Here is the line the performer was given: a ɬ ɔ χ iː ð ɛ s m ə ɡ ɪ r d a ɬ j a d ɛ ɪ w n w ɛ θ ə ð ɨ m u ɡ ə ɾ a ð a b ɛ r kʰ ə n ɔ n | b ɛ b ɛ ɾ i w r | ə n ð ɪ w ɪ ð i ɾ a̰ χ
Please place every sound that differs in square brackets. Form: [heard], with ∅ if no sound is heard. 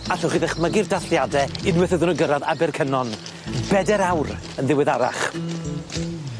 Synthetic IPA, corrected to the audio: a ɬ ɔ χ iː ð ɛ [χ] m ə ɡ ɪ r d a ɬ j a d ɛ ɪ [∅] n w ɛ θ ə ð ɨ [n] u ɡ ə ɾ a ð a b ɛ r kʰ ə n ɔ n | b ɛ [d] ɛ ɾ [a] w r | ə n ð ɪ w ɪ ð [a] ɾ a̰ χ